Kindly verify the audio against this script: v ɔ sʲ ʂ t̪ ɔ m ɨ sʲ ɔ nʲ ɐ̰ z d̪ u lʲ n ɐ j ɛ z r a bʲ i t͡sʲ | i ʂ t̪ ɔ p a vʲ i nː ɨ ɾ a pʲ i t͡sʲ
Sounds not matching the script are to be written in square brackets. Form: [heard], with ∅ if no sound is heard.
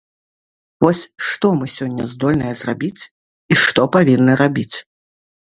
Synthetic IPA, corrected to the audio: v ɔ sʲ ʂ t̪ ɔ m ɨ sʲ ɔ [nʲː] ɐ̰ z d̪ [ɔ] lʲ n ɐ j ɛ z r a bʲ i t͡sʲ | i ʂ t̪ ɔ p a vʲ i nː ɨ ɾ a [bʲ] i t͡sʲ